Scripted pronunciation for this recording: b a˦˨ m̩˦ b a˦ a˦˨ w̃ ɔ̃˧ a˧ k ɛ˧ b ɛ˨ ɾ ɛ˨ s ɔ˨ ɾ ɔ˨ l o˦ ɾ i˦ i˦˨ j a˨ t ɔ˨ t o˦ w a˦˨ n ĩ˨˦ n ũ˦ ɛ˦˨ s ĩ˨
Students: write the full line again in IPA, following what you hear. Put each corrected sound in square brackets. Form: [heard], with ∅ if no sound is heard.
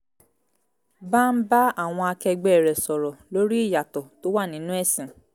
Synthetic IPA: b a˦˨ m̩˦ b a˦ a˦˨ w̃ ɔ̃˧ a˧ k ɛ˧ [ɡ͡b] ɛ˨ ɾ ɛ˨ s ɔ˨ ɾ ɔ˨ l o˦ ɾ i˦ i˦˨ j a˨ t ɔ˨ t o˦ w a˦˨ n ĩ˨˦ n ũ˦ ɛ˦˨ s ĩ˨